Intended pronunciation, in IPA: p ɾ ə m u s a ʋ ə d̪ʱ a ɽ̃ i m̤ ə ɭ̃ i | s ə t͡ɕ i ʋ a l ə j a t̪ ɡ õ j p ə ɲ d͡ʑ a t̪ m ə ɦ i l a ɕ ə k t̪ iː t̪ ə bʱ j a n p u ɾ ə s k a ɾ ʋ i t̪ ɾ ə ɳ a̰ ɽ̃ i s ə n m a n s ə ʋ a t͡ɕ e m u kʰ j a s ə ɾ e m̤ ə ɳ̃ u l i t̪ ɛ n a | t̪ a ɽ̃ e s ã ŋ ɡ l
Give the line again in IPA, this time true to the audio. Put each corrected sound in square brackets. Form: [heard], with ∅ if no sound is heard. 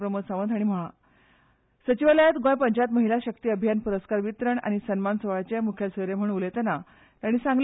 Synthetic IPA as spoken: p ɾ ə m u s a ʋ ə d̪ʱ a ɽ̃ i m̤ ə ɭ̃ [a] | s ə t͡ɕ i ʋ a l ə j a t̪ ɡ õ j p ə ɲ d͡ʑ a t̪ m ə ɦ i l a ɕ ə k t̪ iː [∅] ə bʱ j a n p u ɾ ə s k a ɾ ʋ i t̪ ɾ ə ɳ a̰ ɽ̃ i s ə n m a n s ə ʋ a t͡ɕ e m u kʰ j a s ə ɾ e m̤ ə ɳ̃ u l [e] t̪ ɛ n a | t̪ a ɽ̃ [i] s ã ŋ ɡ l